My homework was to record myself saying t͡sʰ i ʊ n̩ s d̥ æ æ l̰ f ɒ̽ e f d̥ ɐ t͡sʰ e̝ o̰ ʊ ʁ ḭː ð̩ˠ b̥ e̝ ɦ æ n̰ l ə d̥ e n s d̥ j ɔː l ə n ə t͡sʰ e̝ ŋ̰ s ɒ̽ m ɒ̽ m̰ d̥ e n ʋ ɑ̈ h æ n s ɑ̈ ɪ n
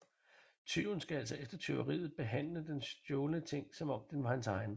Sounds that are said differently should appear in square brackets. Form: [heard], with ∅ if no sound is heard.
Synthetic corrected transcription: t͡sʰ [y] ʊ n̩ s [ɡ̥] æ æ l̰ [s] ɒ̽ e f d̥ ɐ t͡sʰ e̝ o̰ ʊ ʁ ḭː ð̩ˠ b̥ e̝ ɦ æ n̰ l ə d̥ e n s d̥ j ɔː l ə n ə t͡sʰ e̝ ŋ̰ s ɒ̽ m ɒ̽ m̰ d̥ e n ʋ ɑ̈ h æ n s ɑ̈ ɪ n